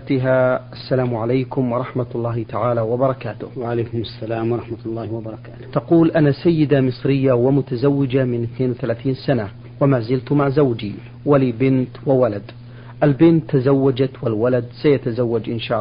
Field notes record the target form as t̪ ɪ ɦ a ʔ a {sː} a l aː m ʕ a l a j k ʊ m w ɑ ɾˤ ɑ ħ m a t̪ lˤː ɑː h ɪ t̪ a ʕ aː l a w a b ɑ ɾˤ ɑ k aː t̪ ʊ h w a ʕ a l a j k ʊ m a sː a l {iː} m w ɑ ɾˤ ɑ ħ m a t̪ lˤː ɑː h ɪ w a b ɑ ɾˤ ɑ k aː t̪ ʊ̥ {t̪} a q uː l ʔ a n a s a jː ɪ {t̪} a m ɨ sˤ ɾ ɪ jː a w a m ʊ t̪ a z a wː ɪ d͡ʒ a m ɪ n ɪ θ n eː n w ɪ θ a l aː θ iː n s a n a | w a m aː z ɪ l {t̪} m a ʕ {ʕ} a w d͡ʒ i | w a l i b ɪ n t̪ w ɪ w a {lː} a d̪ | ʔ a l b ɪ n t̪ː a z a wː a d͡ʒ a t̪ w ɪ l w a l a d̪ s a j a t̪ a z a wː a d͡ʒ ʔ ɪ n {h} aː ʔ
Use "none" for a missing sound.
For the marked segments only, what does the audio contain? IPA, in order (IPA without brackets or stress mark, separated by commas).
sː, aː, t̪, d̪, t̪, z, l, ʃ